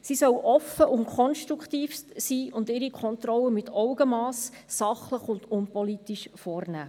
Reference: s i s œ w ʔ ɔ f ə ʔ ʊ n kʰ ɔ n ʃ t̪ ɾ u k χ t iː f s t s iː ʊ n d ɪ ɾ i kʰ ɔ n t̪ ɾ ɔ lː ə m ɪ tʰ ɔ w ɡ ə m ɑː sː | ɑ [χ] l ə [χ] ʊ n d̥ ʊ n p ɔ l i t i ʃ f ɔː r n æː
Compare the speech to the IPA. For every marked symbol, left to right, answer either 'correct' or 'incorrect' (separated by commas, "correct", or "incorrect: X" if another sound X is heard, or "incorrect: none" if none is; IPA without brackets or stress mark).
correct, correct